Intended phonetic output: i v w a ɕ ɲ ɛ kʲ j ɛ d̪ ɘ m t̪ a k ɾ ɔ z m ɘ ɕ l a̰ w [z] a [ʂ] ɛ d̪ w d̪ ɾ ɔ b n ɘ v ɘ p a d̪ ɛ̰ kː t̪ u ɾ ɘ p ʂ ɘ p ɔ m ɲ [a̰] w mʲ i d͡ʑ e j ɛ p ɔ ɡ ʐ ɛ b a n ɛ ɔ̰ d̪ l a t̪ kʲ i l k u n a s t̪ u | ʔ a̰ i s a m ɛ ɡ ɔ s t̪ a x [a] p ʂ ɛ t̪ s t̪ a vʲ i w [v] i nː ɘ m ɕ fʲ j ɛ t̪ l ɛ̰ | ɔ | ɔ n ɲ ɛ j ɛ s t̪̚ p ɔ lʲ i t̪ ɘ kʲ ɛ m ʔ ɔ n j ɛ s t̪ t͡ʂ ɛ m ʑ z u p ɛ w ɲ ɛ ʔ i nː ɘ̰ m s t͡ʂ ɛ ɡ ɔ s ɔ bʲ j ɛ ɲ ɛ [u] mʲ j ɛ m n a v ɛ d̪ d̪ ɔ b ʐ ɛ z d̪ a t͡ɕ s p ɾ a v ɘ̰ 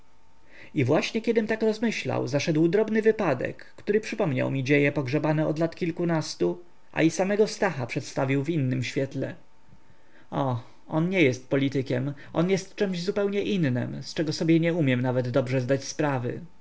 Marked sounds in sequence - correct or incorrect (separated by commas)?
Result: correct, correct, correct, correct, correct, correct